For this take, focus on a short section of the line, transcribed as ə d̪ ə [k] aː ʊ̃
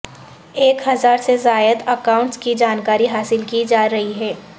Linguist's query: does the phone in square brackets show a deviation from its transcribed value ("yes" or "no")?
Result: no